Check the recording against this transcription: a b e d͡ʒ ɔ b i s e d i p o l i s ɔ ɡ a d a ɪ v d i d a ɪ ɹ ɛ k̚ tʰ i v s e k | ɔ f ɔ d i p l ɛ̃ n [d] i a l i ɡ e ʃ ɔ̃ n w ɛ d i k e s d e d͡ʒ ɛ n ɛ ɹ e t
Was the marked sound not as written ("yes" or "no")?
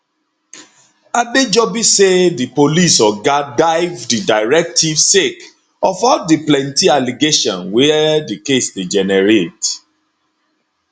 yes